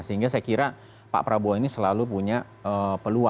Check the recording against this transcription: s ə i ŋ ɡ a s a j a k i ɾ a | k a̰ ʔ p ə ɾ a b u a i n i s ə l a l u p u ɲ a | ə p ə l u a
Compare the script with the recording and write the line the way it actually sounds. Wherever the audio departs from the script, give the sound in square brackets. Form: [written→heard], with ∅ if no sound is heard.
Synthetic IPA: s ə i ŋ ɡ a s a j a k i ɾ a | [k→p] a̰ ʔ p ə ɾ a b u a i n i s ə l a l u p u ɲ a | ə p ə l u a